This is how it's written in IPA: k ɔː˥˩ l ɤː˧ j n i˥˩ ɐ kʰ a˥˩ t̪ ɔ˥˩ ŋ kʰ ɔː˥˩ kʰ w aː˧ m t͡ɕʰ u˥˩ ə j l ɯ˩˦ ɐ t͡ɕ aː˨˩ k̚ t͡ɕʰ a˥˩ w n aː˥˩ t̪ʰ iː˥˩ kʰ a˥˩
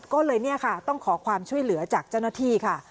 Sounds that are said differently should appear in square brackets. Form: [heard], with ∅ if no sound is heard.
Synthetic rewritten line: k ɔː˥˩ l ɤː˧ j n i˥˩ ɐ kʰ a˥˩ t̪ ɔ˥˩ ŋ kʰ [ɔː˩˦] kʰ w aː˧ m t͡ɕʰ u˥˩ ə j l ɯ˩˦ ɐ t͡ɕ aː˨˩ k̚ [t͡ɕ] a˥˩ w n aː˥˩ t̪ʰ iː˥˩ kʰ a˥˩